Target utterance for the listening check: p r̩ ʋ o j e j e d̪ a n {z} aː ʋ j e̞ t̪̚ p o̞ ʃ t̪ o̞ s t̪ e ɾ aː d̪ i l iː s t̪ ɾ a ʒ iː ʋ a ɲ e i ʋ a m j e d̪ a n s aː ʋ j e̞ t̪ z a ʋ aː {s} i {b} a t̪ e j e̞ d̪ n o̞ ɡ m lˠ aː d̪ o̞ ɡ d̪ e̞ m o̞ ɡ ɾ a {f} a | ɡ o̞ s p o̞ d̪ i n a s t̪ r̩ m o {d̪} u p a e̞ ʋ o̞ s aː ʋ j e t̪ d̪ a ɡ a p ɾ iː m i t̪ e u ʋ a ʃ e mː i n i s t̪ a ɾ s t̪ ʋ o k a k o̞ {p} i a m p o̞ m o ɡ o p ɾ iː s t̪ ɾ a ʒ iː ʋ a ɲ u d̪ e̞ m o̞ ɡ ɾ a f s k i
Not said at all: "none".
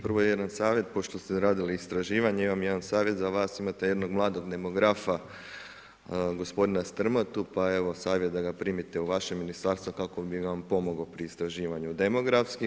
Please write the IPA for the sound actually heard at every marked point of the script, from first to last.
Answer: s, s, m, f, t̪, b

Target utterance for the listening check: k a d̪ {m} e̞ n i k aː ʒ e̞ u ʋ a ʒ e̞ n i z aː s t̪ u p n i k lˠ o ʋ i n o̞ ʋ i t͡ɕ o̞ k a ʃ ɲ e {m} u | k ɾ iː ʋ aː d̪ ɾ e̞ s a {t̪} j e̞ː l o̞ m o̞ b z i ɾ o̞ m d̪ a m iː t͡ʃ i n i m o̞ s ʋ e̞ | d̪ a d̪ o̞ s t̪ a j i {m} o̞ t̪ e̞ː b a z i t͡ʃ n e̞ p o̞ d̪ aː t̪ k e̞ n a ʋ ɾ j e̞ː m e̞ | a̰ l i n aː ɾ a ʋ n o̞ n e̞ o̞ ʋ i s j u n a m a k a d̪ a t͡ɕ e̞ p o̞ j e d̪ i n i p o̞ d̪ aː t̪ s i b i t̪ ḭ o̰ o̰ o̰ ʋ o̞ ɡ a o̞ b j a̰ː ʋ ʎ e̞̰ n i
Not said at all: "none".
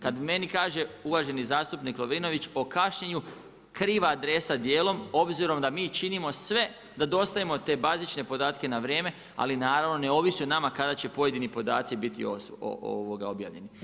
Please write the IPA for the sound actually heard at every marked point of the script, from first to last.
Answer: m, ɲ, d̪, m

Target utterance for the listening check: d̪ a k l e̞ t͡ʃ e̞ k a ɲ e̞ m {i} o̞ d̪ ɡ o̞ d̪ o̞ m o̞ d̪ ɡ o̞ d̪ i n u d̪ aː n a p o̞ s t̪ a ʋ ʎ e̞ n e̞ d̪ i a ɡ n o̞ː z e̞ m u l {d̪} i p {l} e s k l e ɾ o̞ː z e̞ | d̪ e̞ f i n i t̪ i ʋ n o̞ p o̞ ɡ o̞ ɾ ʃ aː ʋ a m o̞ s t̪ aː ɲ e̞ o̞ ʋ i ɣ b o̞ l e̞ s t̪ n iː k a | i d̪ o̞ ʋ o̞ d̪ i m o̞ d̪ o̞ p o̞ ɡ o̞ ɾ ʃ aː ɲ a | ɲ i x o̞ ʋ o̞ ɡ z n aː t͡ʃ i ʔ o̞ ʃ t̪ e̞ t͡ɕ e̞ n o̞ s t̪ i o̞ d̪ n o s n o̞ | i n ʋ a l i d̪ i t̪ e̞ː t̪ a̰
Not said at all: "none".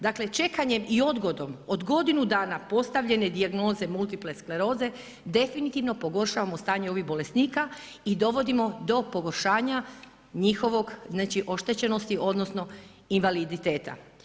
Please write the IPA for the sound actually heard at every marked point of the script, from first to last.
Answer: i, t̪, l

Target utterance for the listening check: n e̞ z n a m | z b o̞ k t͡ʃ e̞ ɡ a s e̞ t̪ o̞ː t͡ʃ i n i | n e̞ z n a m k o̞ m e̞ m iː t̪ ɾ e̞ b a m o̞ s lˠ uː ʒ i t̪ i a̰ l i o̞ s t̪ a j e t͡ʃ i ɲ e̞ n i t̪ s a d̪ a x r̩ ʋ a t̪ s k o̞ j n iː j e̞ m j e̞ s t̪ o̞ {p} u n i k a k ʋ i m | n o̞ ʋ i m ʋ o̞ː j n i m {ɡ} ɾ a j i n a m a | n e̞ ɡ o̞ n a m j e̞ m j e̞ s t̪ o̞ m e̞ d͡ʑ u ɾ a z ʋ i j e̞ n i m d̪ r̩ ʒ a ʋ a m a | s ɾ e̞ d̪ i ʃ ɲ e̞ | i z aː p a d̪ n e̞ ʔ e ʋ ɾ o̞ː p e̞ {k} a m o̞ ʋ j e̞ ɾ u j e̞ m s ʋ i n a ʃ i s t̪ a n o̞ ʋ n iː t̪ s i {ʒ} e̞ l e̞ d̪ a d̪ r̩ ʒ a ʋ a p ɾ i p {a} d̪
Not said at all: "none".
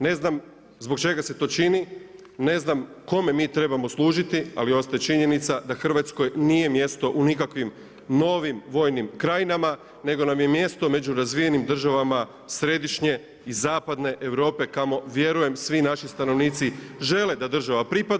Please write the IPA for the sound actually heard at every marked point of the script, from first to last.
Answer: ʔ, k, k, ʒ, a

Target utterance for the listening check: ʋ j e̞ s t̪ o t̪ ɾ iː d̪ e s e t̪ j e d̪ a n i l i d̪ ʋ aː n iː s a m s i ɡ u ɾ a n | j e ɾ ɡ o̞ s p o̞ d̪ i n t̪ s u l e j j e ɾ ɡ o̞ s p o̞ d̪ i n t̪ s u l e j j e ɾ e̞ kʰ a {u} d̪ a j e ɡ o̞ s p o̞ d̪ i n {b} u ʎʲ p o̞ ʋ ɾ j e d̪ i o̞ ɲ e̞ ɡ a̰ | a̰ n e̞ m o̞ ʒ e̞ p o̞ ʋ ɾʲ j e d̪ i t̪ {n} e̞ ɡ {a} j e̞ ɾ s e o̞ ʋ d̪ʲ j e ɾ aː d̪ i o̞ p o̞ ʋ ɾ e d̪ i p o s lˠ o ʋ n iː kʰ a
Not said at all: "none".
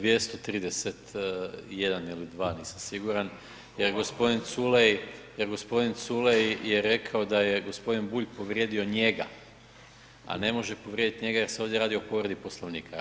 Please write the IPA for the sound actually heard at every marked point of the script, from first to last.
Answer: o, b, ɲ, a

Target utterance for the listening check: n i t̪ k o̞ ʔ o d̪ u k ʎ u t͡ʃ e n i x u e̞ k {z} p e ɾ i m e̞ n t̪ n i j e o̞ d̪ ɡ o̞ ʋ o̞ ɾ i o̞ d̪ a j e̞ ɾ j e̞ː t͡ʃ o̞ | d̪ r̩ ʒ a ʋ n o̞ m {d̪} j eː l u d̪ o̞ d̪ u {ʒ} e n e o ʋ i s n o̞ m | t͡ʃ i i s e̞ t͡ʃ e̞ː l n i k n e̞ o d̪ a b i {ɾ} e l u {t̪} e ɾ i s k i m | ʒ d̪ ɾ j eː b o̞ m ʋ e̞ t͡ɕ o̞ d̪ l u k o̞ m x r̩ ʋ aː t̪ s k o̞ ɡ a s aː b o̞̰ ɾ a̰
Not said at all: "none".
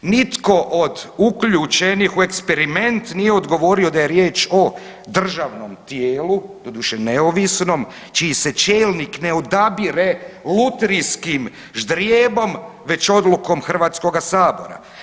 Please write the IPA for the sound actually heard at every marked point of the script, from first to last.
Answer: s, t̪, ʃ, ɾ, t̪

